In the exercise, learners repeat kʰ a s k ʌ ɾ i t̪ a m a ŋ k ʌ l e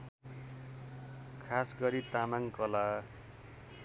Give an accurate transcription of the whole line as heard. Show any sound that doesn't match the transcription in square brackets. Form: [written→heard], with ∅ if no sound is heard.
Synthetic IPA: kʰ a s [k→ɡ] ʌ ɾ i t̪ a m a ŋ k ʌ l [e→a]